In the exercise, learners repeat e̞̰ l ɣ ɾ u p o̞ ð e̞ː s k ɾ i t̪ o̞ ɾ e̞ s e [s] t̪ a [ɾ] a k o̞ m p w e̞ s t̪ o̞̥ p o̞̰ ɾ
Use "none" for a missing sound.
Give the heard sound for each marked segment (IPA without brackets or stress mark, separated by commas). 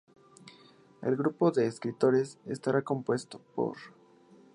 s, ɾ